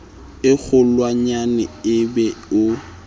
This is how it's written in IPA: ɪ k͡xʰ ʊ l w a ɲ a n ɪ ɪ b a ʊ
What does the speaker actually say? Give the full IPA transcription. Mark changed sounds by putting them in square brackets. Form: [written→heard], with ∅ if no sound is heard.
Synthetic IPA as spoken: ɪ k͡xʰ ʊ l w a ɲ a n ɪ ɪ b [a→ɛ] ʊ